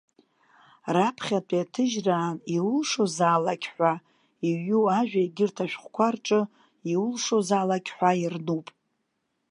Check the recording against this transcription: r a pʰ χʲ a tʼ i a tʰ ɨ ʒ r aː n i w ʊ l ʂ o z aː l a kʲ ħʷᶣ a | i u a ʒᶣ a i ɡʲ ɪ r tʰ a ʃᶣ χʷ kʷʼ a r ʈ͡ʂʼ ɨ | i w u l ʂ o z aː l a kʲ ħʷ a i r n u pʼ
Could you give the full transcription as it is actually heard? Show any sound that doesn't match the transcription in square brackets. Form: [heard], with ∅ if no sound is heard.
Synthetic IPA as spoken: r a pʰ χʲ a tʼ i a tʰ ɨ ʒ r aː n i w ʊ l ʂ o z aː l a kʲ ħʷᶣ a | i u a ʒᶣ a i ɡʲ ɪ r tʰ a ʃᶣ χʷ [kʷ] a r ʈ͡ʂʼ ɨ | i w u l ʂ o z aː l a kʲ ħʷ a i r n u pʼ